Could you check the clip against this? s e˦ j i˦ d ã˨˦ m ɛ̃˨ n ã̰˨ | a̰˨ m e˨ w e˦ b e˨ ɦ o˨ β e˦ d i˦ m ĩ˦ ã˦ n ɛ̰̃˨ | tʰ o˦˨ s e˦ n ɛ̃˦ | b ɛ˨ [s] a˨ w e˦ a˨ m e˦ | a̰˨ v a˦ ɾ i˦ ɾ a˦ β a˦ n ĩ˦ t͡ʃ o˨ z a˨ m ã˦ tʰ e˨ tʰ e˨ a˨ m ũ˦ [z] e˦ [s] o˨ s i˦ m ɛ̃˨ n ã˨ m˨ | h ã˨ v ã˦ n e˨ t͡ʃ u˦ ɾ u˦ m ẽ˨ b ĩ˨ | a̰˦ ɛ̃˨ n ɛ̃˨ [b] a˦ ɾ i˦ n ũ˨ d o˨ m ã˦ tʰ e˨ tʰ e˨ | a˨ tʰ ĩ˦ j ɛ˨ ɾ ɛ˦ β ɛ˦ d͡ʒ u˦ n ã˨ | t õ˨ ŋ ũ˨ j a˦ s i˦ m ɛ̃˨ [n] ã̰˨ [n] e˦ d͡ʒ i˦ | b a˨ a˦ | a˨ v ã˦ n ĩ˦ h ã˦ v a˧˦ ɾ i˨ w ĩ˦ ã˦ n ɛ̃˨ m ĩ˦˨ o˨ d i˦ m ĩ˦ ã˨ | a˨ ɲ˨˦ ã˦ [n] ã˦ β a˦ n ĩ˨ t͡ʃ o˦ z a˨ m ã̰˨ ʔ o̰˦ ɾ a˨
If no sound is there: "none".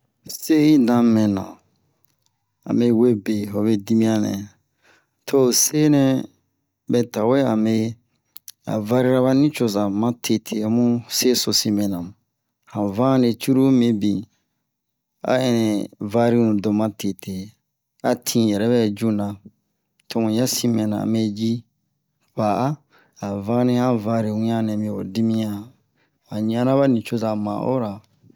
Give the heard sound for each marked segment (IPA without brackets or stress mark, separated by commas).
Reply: t, s, s, v, n, m, n